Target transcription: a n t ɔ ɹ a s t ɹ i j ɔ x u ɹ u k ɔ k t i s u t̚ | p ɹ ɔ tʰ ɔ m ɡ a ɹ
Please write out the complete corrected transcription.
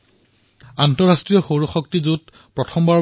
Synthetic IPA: a n t ɔ ɹ a s t ɹ i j ɔ x o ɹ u x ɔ k t i z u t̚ | p ɹ ɔ tʰ ɔ m b a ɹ